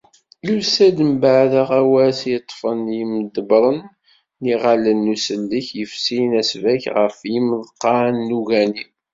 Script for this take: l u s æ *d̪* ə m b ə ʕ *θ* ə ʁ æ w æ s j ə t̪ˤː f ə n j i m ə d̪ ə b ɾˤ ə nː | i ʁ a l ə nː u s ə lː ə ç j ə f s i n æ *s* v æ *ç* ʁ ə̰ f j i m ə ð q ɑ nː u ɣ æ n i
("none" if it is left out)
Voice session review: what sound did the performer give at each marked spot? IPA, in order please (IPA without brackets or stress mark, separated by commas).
d̪, ð, s, ç